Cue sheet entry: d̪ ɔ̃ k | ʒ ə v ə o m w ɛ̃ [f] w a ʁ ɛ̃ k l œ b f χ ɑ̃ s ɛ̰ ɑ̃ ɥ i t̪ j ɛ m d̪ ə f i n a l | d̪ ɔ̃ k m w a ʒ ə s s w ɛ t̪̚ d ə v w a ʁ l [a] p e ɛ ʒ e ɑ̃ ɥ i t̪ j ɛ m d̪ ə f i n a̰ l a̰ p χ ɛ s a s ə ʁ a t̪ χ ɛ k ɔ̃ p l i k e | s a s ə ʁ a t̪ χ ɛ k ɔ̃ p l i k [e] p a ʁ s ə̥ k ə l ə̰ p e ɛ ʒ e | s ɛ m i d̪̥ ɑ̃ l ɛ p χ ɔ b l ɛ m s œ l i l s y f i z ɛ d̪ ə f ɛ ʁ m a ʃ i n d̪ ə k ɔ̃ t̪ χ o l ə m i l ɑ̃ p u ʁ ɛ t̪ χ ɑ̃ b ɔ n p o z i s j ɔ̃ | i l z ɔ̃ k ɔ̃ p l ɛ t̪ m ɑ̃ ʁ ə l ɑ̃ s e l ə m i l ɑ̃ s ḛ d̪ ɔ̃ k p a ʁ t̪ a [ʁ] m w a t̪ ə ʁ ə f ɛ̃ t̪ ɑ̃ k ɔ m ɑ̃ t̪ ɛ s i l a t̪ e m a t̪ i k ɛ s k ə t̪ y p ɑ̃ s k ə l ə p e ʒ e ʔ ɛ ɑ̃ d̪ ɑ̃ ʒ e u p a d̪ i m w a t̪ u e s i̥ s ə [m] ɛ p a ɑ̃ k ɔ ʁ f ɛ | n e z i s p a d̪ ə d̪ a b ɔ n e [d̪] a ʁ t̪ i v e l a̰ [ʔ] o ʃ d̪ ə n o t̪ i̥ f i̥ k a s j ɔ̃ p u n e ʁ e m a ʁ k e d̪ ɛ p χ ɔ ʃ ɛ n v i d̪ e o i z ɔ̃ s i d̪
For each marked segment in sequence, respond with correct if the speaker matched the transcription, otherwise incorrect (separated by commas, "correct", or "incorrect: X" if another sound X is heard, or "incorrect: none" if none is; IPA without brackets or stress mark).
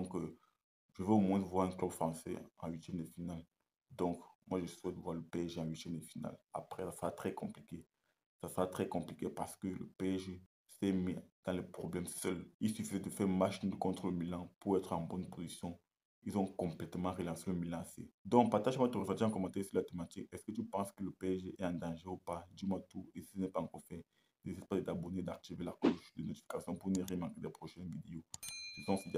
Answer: incorrect: v, incorrect: ə, correct, incorrect: ʒ, incorrect: n, correct, incorrect: k